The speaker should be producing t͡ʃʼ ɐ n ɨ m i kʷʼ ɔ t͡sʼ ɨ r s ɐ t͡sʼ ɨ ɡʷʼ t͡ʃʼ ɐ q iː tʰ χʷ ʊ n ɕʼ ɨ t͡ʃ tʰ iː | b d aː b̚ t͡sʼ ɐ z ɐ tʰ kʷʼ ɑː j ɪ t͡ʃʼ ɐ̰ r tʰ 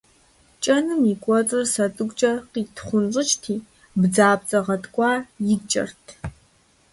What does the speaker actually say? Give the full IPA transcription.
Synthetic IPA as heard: t͡ʃʼ ɐ n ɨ m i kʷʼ ɔ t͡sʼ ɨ r s ɐ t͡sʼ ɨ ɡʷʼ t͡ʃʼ ɐ q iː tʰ χʷ ʊ n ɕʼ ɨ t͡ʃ tʰ iː | b d͡z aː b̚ t͡sʼ ɐ ʁ ɐ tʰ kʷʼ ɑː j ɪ t͡ʃʼ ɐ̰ r tʰ

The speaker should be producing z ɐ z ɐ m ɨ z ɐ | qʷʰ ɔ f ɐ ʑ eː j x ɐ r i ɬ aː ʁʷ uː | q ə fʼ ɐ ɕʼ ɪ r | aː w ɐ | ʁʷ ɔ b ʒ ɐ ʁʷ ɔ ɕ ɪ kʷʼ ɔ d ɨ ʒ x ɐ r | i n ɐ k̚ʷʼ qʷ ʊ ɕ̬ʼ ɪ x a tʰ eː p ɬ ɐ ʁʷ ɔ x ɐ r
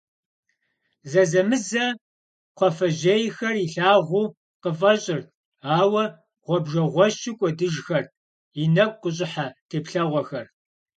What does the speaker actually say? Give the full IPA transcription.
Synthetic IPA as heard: z ɐ z ɐ m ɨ z ɐ | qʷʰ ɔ f ɐ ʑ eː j x ɐ r i ɬ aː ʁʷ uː | q ə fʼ ɐ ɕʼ ɪ r | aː w ɐ | ʁʷ ɔ b ʒ ɐ ʁʷ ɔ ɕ ɪ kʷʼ ɔ d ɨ ʒ x ɐ r | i n ɐ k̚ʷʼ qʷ ʊ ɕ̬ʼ ɪ ħ a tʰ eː p ɬ ɐ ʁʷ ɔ x ɐ r

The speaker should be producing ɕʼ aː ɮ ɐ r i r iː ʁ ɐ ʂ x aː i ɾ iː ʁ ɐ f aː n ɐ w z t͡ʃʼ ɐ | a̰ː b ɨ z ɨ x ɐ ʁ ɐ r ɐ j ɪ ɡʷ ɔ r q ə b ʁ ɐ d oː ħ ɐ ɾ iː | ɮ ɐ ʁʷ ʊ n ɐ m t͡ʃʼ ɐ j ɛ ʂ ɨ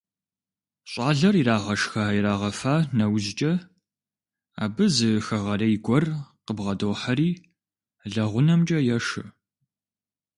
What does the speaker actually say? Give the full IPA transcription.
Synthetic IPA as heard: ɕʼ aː ɮ ɐ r i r aː ʁ ɐ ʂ x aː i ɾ aː ʁ ɐ f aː n ɐ w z t͡ʃʼ ɐ | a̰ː b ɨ z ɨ x ɐ ʁ ɐ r ɐ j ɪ ɡʷ ɔ r q ə b ʁ ɐ d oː ħ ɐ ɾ iː | ɮ ɐ ʁʷ ʊ n ɐ m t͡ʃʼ ɐ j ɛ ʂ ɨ

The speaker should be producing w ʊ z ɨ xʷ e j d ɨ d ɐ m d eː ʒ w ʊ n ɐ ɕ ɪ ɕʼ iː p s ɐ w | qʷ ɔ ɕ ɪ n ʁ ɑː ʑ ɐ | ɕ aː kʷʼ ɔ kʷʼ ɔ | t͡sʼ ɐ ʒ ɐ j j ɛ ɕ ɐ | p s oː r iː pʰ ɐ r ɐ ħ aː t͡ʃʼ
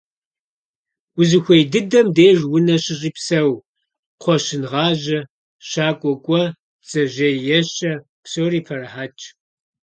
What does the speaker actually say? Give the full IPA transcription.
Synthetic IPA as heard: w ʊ z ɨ xʷ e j d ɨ d ɐ m d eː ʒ w ʊ n ɐ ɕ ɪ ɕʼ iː p s ɐ w | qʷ ɔ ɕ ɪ n ʁ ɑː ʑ ɐ | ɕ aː kʷʼ ɔ kʷʼ ɔ | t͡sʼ ɐ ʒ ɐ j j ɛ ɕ ɐ | p s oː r iː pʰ ɐ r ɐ ħ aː t͡ʃʼ

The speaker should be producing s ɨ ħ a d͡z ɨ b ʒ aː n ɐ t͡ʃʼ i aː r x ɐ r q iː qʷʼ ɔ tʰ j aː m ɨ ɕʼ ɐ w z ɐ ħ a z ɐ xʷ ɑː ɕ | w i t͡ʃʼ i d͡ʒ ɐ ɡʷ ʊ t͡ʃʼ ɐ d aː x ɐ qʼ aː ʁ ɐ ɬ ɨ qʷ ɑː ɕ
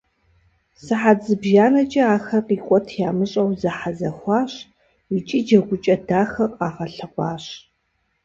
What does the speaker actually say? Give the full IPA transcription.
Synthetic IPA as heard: s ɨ ħ a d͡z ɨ b ʒ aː n ɐ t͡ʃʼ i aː x ɐ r q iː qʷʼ ɔ tʰ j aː m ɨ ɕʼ ɐ w z ɐ ħ a z ɐ xʷ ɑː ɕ | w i t͡ʃʼ i d͡ʒ ɐ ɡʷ ʊ t͡ʃʼ ɐ d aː x ɐ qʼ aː ʁ ɐ ɬ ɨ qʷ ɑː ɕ

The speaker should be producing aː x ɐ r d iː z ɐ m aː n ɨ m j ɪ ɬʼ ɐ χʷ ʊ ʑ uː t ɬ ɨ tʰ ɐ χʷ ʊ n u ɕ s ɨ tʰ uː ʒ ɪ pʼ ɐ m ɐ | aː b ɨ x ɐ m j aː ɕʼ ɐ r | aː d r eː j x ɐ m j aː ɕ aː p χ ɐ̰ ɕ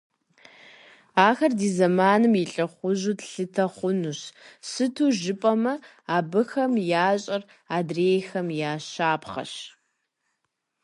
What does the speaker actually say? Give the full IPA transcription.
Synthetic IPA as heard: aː x ɐ r d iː z ɐ m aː n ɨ m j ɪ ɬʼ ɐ χʷ ʊ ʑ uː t ɬ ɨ tʰ ɐ χʷ ʊ n u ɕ s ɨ tʰ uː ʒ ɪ pʼ ɐ m ɐ | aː b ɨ x ɐ m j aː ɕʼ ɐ r | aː d r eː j x ɐ m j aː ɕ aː p χ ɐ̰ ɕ

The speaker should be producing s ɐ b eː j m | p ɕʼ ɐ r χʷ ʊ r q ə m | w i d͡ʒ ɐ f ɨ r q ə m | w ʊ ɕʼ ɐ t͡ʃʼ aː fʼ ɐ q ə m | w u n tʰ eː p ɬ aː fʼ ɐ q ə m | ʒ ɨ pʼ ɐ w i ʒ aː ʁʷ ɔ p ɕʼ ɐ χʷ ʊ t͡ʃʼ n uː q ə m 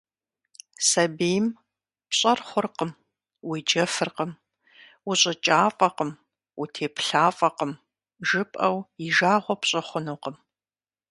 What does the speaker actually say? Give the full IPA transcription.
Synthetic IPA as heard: s ɐ b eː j m | p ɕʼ ɐ r χʷ ʊ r q ə m | w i d͡ʒ ɐ f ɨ r q ə m | w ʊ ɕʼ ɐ t͡ʃʼ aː fʼ ɐ q ə m | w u tʰ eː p ɬ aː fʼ ɐ q ə m | ʒ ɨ pʼ ɐ w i ʒ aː ʁʷ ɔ p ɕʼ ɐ χʷ ʊ n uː q ə m

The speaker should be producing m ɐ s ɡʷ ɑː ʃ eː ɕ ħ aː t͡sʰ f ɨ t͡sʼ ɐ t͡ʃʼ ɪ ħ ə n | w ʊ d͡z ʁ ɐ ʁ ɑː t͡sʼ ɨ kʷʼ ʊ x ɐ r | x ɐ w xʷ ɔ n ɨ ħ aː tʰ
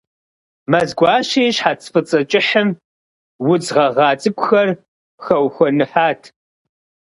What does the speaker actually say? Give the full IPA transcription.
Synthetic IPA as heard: m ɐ z ɡʷ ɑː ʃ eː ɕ ħ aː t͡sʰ f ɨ t͡sʼ ɐ t͡ʃʼ ɪ ħ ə m | w ʊ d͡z ʁ ɐ ʁ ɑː t͡sʼ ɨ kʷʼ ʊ x ɐ r | x ɐ w xʷ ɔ n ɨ ħ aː tʰ

